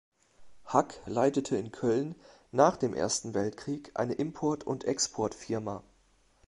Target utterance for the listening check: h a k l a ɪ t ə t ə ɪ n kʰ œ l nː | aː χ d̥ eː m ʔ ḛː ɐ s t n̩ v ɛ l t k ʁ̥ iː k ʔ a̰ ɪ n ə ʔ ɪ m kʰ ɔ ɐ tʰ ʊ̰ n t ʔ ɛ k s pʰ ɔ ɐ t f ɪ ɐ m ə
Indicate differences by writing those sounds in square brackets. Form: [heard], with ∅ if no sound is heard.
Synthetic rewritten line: h a k l a ɪ t ə [tʰ] ə ɪ n kʰ œ l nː | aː χ d̥ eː m ʔ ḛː ɐ s t n̩ v ɛ l t k ʁ̥ iː k ʔ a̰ ɪ n ə ʔ ɪ m [pʰ] ɔ ɐ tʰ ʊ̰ n t ʔ ɛ k s pʰ ɔ ɐ t f ɪ ɐ m [a]

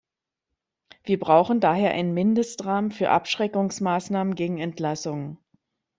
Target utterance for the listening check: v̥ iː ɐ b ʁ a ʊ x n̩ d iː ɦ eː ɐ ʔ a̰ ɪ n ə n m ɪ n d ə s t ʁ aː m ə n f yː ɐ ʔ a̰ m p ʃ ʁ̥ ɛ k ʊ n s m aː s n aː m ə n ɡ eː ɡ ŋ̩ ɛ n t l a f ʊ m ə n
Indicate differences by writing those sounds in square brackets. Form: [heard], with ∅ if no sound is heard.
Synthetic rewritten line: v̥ iː ɐ b ʁ a ʊ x n̩ d [aː] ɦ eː ɐ ʔ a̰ ɪ n ə n m ɪ n d ə s t ʁ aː m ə n f yː ɐ ʔ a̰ [∅] p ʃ ʁ̥ ɛ k ʊ [ŋ] s m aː s n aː m ə n ɡ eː ɡ ŋ̩ ɛ n t l a [s] ʊ [ŋ] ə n

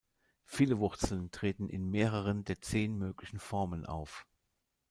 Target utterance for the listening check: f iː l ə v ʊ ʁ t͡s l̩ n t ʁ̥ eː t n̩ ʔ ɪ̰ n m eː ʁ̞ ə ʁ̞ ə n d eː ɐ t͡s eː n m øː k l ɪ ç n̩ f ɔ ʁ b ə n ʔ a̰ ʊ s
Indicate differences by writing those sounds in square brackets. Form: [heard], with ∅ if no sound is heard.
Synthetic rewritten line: f iː l ə v ʊ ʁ t͡s l̩ n t ʁ̥ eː t n̩ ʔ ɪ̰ n m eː ʁ̞ ə ʁ̞ ə n d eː ɐ t͡s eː n m øː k l ɪ ç n̩ f ɔ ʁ [m] ə n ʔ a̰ ʊ [f]

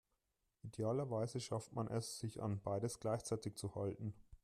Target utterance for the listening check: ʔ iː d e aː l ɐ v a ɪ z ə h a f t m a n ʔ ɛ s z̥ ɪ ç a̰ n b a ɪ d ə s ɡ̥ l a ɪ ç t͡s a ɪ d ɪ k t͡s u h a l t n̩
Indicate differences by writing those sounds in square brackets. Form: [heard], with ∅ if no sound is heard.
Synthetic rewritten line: ʔ [i] d e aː l ɐ v a ɪ z ə [ʃ] a f t m a n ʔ ɛ s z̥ ɪ ç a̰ n b a ɪ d ə s ɡ̥ l a ɪ ç t͡s a ɪ [t] ɪ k t͡s u h a l t n̩

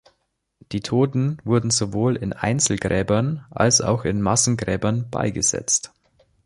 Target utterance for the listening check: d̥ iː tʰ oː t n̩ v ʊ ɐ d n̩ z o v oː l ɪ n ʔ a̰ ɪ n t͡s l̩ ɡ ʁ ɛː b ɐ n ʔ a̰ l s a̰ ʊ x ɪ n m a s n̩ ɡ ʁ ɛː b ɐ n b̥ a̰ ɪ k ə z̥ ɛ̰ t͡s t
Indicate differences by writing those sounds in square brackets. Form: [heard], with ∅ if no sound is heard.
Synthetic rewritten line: d̥ iː tʰ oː t n̩ v ʊ ɐ d n̩ z o v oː l ɪ n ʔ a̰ ɪ n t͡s l̩ ɡ ʁ ɛː b ɐ n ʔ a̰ l s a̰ ʊ x ɪ n m a s n̩ ɡ ʁ ɛː b ɐ n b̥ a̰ ɪ [ɡ] ə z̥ ɛ̰ t͡s t

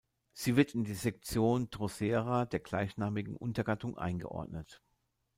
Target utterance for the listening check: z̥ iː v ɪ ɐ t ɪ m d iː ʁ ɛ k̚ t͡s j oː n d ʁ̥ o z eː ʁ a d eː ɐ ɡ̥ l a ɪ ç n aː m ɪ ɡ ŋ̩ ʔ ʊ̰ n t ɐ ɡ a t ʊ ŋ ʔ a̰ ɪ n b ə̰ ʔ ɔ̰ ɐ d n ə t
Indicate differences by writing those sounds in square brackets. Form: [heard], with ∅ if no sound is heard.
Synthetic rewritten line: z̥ iː v ɪ ɐ t ɪ [n] d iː [z] ɛ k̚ t͡s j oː n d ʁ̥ o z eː ʁ a d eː ɐ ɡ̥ l a ɪ ç n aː m ɪ ɡ ŋ̩ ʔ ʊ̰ n t ɐ ɡ a t ʊ ŋ ʔ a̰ ɪ n [ɡ] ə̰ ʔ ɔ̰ ɐ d n ə t

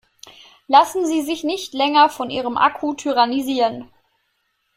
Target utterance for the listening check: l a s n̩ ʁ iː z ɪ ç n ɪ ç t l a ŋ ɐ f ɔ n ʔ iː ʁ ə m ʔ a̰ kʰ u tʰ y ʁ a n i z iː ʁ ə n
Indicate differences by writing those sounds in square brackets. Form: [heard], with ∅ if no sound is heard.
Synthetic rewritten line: l a s n̩ [z] iː z ɪ ç n ɪ ç t l [ɛ] ŋ ɐ f ɔ n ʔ iː ʁ ə m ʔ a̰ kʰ u tʰ y ʁ a n i z iː ʁ ə n

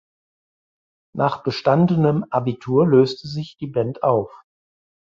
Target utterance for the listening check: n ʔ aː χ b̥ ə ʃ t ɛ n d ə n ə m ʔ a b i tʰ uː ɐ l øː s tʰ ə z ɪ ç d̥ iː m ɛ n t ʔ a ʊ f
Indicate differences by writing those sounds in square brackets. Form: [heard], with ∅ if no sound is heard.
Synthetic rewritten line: n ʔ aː χ b̥ ə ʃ t [a] n d ə n ə m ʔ a b i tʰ uː ɐ l øː s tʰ ə z ɪ ç d̥ iː [b] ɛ n t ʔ a ʊ f

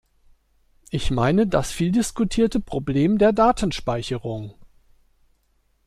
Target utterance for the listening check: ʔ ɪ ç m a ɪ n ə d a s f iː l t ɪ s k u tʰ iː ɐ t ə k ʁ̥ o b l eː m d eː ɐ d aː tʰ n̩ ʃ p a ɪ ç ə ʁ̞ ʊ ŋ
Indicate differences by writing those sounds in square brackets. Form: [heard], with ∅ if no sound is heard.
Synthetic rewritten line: ʔ ɪ ç m a ɪ n ə d a s f iː l [d] ɪ s k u tʰ iː ɐ t ə [p] ʁ̥ o b l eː m d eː ɐ d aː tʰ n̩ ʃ p a ɪ ç ə ʁ̞ ʊ ŋ

